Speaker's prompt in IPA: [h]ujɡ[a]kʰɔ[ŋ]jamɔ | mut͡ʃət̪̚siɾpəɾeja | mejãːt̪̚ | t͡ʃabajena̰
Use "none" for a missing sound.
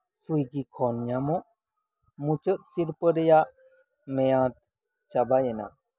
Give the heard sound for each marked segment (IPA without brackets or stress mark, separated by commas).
s, i, n